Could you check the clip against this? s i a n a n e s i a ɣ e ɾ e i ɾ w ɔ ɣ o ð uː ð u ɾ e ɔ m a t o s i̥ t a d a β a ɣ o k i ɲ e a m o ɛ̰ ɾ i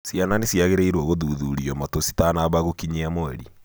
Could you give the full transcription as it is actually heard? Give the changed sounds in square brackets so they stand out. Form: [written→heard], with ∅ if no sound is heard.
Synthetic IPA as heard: s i a n a n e s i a ɣ e ɾ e i ɾ w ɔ ɣ o ð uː ð u ɾ [e→i] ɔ m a t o s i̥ t a [d→n] a β a ɣ o k i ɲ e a m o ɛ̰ ɾ i